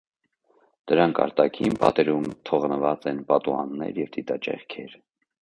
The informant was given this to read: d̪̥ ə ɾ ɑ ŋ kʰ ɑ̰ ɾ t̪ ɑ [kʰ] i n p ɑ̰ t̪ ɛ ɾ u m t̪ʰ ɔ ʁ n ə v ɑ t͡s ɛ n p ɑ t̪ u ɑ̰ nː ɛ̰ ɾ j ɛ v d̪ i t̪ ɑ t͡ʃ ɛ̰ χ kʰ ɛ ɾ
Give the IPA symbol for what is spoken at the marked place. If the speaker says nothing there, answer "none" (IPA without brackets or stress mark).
kʰ